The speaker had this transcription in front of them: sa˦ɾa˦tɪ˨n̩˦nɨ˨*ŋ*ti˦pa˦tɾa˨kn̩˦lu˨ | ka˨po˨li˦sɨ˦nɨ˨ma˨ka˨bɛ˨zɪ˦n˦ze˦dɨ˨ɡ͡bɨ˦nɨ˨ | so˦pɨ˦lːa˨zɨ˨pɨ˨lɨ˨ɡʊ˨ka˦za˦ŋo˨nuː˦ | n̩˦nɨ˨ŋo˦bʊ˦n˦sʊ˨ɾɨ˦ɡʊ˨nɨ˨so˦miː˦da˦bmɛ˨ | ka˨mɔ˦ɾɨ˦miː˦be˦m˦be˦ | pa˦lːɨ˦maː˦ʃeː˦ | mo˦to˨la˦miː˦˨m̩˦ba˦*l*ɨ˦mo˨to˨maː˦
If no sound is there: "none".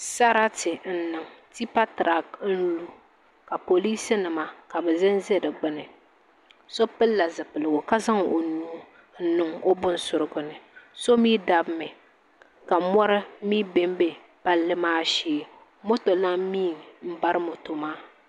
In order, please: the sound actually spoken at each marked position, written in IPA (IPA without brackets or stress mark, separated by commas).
ŋ, ɾ